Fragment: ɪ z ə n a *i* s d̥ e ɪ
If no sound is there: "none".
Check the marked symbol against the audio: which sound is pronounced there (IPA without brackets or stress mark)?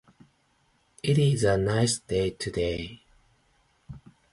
ɪ